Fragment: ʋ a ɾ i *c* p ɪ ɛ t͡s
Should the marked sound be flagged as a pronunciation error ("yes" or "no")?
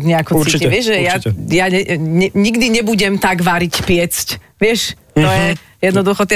no